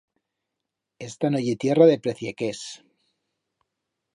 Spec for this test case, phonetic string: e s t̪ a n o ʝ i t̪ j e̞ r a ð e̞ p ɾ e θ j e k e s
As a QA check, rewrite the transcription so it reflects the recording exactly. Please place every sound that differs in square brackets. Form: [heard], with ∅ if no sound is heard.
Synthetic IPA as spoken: e s t̪ a n o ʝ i t̪ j e̞ r a ð e̞ p ɾ e θ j e k e s